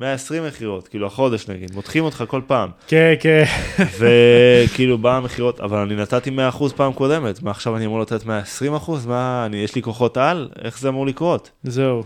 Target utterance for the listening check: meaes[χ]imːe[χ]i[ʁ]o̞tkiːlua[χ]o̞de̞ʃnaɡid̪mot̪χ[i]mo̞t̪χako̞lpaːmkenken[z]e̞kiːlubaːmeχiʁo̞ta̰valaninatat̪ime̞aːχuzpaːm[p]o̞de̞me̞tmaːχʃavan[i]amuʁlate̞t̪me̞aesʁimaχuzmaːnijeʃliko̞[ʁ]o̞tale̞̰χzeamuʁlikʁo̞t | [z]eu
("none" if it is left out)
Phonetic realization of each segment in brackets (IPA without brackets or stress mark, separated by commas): ʁ, χ, ʁ, χ, i, v, k, i, χ, z